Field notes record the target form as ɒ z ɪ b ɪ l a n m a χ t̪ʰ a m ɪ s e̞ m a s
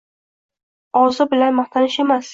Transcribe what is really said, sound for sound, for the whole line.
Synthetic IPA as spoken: ɒ z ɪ b ɪ l a n m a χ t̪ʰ a n ɪ ʃ e̞ m a s